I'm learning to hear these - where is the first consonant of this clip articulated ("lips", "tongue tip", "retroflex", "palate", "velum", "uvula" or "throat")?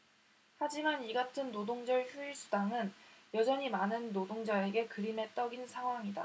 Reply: throat